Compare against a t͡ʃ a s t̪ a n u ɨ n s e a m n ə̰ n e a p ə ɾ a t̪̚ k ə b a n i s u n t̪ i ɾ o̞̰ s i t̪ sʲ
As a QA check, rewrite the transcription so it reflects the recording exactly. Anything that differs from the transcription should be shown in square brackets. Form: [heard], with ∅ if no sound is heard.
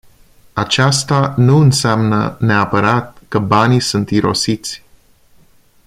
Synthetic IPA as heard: a t͡ʃ a s t̪ a n u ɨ n s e a m n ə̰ n e a p ə ɾ a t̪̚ k ə b a n i s u n t̪ i ɾ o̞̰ s i t̪ sʲ